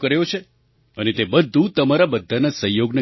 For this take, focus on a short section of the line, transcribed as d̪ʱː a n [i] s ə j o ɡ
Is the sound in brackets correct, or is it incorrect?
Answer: incorrect